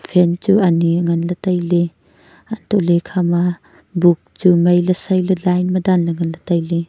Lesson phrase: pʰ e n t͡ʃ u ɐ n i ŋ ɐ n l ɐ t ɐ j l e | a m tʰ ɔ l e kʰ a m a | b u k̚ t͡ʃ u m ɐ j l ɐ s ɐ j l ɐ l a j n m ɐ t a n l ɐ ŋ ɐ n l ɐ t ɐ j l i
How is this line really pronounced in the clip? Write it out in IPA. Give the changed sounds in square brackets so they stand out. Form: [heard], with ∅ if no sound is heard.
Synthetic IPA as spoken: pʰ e n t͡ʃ u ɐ n i ŋ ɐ n l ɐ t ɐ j l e | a [n] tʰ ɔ l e kʰ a m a | b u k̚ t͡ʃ u m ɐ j l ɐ s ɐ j l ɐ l a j n m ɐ [d] a n l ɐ ŋ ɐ n l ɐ t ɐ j l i